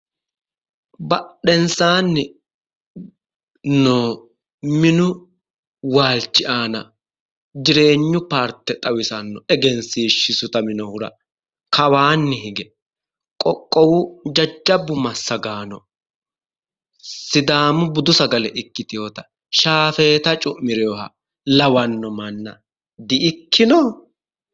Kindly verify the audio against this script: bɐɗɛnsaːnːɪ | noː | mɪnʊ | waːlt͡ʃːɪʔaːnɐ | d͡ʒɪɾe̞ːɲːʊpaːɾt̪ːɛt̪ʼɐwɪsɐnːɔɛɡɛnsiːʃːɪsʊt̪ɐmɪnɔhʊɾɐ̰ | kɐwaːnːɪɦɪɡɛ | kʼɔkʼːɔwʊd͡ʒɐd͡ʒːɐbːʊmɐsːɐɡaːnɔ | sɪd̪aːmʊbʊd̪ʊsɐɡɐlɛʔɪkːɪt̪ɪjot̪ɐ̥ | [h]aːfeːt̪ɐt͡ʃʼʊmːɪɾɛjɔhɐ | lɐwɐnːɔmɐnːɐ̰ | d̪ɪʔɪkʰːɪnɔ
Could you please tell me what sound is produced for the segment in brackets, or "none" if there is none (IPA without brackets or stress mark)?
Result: ʃ